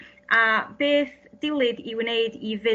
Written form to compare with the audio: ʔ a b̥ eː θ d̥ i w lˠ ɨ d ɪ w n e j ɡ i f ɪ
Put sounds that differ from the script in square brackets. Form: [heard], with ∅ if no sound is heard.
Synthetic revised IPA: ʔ a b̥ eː θ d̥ [ɪ] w lˠ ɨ d [i] w n e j [d] i [v] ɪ